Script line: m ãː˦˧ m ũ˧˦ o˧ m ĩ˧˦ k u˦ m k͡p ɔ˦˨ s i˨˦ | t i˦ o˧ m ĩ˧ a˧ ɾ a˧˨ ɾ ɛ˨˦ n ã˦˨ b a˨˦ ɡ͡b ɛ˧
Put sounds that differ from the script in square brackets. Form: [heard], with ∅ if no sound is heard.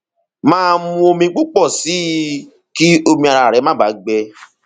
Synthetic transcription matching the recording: m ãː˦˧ m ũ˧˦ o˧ m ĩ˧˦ [k͡p] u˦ [∅] k͡p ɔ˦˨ s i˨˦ | [k] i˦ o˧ m ĩ˧ a˧ ɾ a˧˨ ɾ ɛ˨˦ [m] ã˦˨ b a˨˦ ɡ͡b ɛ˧